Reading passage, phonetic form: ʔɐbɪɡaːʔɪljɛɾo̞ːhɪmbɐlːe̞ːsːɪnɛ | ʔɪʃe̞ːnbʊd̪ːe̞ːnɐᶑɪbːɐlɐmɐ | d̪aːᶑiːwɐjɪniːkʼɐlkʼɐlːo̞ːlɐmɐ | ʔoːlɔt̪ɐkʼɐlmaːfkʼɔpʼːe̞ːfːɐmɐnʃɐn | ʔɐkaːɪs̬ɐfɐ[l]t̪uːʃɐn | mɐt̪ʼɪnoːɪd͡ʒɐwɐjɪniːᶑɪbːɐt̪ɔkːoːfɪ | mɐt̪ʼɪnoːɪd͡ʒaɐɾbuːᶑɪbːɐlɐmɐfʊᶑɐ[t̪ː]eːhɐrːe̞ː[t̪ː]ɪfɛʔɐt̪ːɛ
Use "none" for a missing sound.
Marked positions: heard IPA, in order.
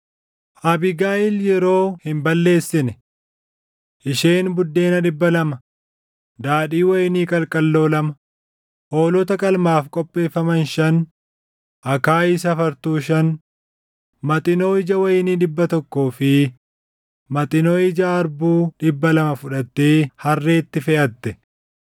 ɾ, t̪ː, t̪ː

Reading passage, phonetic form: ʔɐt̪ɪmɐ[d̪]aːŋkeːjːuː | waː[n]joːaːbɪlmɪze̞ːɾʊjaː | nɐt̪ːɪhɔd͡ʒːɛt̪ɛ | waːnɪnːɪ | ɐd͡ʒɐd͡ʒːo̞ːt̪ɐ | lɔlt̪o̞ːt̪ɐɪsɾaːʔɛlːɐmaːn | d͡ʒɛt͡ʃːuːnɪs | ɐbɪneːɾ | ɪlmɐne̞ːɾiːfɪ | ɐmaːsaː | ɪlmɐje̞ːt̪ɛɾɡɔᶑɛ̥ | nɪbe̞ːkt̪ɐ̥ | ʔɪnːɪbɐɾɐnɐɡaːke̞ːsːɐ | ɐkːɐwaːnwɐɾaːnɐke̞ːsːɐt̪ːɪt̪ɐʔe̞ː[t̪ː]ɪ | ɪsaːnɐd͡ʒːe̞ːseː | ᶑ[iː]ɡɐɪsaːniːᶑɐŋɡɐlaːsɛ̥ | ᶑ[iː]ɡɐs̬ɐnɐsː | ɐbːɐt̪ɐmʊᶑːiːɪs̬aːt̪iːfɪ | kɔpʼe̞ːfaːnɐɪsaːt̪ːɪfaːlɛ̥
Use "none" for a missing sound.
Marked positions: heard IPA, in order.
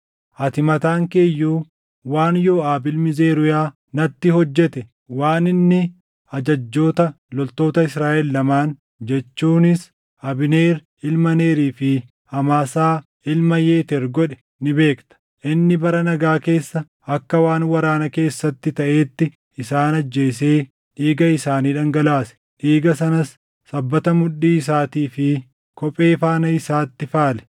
t̪, n, t̪ː, iː, iː

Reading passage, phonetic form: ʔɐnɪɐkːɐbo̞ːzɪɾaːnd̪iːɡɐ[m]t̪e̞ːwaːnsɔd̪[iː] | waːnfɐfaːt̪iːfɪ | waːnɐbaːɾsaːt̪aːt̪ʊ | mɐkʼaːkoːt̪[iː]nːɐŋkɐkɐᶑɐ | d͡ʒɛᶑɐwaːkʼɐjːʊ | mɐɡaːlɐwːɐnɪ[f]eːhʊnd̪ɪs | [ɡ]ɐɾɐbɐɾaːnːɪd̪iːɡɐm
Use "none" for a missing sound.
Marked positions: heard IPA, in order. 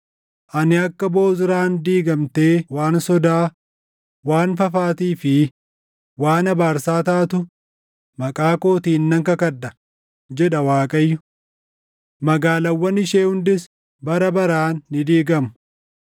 m, aː, iː, ʃ, b

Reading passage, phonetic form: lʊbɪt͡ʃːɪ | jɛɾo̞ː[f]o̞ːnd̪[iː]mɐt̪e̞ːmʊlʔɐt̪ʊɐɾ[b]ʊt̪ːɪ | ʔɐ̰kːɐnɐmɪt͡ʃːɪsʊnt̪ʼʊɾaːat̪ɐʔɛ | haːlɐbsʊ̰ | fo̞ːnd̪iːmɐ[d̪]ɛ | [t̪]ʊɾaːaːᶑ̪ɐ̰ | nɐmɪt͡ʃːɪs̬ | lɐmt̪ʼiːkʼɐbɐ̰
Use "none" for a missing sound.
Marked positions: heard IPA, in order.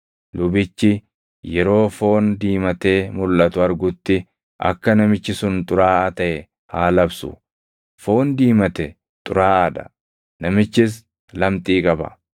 f, iː, ɡ, t̪, t̪ʼ

